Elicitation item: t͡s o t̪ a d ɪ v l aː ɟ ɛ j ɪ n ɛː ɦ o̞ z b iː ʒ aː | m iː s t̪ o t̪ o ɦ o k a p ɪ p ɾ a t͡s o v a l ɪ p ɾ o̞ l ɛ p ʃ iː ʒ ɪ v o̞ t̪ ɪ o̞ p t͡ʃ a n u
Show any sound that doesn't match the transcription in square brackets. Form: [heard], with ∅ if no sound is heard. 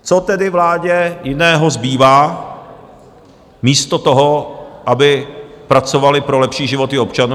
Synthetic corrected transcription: t͡s o t̪ [ɛ] d ɪ v l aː ɟ ɛ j ɪ n ɛː ɦ o̞ z b iː [v] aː | m iː s t̪ o t̪ o ɦ o [ʔ] a [b] ɪ p ɾ a t͡s o v a l ɪ p ɾ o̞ l ɛ p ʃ iː ʒ ɪ v o̞ t̪ ɪ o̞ p t͡ʃ a n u